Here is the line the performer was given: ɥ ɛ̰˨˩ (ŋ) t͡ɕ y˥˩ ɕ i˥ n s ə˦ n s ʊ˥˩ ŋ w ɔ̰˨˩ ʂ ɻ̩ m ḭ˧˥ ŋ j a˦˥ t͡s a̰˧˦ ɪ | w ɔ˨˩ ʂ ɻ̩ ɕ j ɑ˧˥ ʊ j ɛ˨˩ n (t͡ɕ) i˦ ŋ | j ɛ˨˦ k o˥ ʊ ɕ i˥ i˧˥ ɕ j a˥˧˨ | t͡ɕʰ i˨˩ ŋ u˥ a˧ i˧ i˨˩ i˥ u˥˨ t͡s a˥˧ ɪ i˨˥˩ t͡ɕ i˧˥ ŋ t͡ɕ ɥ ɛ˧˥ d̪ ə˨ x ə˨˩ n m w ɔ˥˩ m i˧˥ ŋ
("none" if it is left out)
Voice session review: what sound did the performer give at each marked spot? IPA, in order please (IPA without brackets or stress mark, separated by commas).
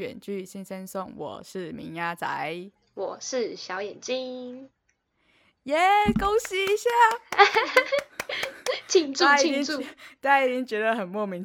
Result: n, t͡ɕ